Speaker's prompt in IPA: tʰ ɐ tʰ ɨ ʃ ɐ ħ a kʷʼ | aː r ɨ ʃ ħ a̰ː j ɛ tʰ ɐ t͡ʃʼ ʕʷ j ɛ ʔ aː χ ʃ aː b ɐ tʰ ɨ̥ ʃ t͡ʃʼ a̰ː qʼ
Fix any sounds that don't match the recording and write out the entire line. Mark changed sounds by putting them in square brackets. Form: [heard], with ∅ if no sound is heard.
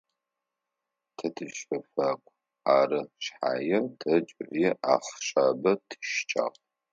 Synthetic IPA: tʰ ɐ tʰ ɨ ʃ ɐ [f] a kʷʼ | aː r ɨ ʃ ħ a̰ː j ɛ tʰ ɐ t͡ʃʼ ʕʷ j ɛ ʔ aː χ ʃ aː b ɐ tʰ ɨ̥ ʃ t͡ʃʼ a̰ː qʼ

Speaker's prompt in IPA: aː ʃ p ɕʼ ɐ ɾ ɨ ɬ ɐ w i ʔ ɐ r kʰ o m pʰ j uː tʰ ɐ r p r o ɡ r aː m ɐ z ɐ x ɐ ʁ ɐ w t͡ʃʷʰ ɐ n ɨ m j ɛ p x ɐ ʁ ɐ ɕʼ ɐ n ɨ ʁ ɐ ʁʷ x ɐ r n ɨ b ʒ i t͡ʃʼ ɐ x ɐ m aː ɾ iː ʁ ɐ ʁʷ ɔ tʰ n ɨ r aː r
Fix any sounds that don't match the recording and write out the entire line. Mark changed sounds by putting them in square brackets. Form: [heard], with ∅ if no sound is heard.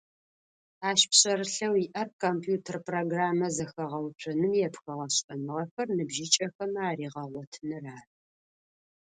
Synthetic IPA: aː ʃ p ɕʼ ɐ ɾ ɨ ɬ ɐ w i ʔ ɐ r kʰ o m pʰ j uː tʰ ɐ r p r o ɡ r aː m ɐ z ɐ x ɐ ʁ ɐ w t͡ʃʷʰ ɐ n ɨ m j ɛ p x ɐ ʁ ɐ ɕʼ ɐ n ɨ ʁ ɐ [∅] x ɐ r n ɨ b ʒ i t͡ʃʼ ɐ x ɐ m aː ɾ iː ʁ ɐ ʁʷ ɔ tʰ n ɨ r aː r

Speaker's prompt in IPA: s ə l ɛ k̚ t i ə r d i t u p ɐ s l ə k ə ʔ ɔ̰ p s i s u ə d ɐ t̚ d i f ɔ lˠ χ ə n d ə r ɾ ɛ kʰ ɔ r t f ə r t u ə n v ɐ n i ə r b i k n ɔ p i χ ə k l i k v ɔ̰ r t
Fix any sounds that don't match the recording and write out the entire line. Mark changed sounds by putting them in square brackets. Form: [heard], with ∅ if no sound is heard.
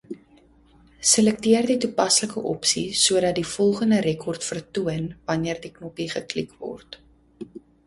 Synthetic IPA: s ə l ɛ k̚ t i ə r d i t u p ɐ s l ə k ə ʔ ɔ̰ p s i s u ə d ɐ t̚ d i f ɔ lˠ χ ə n d ə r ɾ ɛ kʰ ɔ r t f ə r t u ə n v ɐ n i ə r [d] i k n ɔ p i χ ə k l i k v ɔ̰ r t

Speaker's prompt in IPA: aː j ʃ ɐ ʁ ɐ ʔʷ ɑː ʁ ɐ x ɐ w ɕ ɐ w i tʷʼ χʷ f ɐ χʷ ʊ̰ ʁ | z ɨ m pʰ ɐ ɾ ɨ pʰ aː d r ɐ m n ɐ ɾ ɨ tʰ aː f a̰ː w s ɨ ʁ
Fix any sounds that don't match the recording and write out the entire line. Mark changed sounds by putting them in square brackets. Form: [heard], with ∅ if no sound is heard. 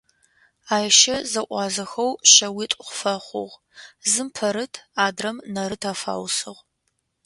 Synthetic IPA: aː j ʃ ɐ [z] ɐ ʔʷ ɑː [z] ɐ x ɐ w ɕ ɐ w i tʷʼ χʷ f ɐ χʷ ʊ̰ ʁ | z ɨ m pʰ ɐ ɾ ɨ [tʰ] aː d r ɐ m n ɐ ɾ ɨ tʰ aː f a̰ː w s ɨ ʁ

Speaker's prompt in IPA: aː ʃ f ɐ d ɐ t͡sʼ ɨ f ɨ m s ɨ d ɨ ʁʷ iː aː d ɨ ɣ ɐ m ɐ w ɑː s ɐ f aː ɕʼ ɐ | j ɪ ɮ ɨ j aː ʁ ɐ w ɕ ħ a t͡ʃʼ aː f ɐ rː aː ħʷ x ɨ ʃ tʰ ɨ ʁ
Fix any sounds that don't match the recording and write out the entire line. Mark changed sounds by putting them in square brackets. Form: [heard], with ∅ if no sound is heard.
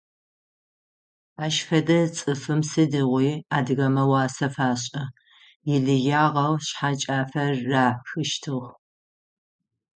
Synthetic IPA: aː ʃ f ɐ d ɐ t͡sʼ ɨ f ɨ m s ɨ d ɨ ʁʷ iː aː d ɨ ɣ ɐ m ɐ w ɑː s ɐ f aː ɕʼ ɐ | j ɪ ɮ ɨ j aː ʁ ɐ w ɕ ħ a t͡ʃʼ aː f ɐ rː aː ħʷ x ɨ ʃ tʰ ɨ ʁ

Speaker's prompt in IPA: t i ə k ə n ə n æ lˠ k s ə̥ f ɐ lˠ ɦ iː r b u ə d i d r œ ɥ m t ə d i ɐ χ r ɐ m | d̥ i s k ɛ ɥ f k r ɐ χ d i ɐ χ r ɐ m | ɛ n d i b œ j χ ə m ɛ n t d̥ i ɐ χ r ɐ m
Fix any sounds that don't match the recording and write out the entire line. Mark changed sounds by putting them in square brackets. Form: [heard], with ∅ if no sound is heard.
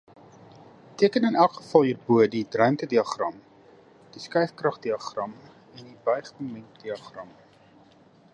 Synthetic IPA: t i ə k ə n ə n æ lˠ k [χ] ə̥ f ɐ lˠ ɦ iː r b u ə d i d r œ ɥ m t ə d i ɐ χ r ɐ m | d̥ i s k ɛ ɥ f k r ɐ χ d i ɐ χ r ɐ m | ɛ n d i b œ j χ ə m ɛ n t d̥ i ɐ χ r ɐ m

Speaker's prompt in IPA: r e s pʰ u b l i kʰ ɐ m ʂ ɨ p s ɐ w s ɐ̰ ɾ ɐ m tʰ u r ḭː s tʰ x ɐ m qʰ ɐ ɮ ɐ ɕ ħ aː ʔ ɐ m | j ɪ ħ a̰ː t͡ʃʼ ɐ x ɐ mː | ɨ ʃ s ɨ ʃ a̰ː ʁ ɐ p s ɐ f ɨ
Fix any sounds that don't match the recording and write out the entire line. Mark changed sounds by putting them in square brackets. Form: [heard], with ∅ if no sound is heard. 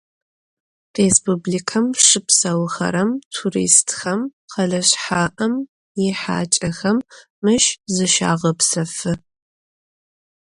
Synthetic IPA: r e s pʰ u b l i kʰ ɐ m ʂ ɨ p s ɐ w [x] ɐ̰ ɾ ɐ m tʰ u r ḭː s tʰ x ɐ m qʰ ɐ ɮ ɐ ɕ ħ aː ʔ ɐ m | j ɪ ħ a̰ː t͡ʃʼ ɐ x ɐ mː | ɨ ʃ [z] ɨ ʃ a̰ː ʁ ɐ p s ɐ f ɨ

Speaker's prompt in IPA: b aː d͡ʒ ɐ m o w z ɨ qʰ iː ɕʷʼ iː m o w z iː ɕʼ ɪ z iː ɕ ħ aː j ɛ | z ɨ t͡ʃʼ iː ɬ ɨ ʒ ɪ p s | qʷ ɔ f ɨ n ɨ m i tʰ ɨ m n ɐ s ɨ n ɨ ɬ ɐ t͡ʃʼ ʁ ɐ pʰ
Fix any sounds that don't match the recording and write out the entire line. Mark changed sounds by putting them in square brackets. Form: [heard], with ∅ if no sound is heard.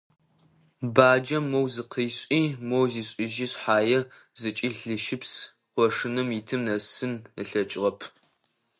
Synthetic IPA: b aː d͡ʒ ɐ m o w z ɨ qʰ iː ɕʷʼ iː m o w z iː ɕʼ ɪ [ʒ] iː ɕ ħ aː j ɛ | z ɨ t͡ʃʼ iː ɬ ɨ [ʃ] ɪ p s | qʷ ɔ [ʂ] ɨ n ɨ m i tʰ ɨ m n ɐ s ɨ n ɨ ɬ ɐ t͡ʃʼ ʁ ɐ pʰ

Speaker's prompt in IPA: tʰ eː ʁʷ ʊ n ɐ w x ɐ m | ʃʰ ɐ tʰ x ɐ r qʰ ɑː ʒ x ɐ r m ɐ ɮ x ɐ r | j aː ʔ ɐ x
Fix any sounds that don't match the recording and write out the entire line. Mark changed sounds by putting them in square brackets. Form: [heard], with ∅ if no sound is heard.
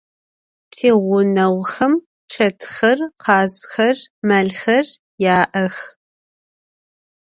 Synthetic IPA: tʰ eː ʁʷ ʊ n ɐ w x ɐ m | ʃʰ ɐ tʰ x ɐ r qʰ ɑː [z] x ɐ r m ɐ ɮ x ɐ r | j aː ʔ ɐ x

